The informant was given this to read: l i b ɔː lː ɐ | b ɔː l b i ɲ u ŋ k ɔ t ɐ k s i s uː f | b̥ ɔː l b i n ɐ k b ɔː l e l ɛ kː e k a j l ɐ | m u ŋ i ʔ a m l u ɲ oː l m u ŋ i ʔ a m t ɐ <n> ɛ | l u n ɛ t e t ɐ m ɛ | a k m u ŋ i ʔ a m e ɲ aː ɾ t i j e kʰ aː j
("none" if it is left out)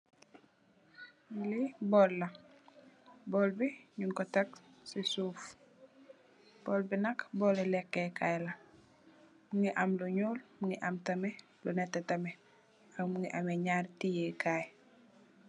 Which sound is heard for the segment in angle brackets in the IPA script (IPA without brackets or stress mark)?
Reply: m